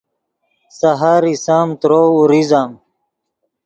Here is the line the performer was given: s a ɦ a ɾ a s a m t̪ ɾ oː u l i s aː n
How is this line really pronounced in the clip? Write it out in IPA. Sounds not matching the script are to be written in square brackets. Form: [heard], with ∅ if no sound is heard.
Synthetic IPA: s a ɦ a ɾ [i] s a m t̪ ɾ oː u [ɾ] i [z] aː [m]